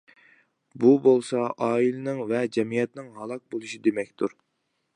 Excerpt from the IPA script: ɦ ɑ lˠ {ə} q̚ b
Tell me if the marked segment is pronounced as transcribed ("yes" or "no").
no